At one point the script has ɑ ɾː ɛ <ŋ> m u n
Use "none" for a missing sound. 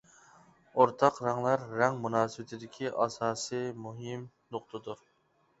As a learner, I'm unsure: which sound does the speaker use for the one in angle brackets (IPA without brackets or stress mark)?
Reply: ŋ